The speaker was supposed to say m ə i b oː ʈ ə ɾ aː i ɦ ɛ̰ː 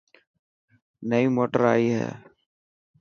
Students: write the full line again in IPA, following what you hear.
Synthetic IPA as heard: n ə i m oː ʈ ə ɾ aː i ɦ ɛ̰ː